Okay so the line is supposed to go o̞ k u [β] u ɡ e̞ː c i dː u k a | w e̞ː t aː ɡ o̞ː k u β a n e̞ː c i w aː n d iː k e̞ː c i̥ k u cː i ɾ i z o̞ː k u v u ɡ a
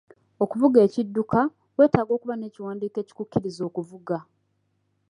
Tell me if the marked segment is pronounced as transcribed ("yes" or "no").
no